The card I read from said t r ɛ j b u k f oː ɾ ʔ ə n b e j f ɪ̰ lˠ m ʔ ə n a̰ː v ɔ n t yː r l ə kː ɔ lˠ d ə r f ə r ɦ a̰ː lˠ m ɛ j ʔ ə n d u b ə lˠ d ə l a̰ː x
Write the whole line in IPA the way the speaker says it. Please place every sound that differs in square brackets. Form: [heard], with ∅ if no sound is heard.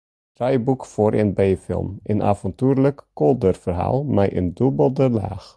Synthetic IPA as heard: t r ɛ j b u k f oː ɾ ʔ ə n b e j f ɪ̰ lˠ m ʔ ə n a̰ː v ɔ n t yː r l ə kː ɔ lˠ d ə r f ə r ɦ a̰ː lˠ m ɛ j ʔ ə n d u b ə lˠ d ə l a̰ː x